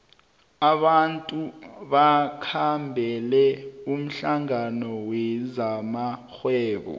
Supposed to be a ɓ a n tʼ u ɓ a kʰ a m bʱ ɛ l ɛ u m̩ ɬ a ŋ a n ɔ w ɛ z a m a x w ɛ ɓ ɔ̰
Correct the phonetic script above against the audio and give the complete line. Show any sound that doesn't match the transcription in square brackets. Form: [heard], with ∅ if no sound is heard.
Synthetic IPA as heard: a ɓ a n tʼ u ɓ a kʰ a m bʱ ɛ l ɛ u m̩ ɬ a ŋ a n ɔ w ɛ z a m a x w [ɛː] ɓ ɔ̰